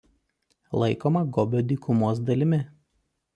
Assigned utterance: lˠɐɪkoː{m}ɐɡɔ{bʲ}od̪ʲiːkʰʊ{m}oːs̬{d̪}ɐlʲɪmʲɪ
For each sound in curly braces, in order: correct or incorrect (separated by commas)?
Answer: correct, correct, correct, correct